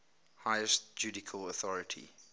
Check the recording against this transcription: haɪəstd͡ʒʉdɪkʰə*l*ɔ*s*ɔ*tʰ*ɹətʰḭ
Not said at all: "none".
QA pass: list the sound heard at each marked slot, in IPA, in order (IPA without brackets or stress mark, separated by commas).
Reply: l, θ, none